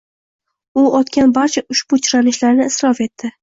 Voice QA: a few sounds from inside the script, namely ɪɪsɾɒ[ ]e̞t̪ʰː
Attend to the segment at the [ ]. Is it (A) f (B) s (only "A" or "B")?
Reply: A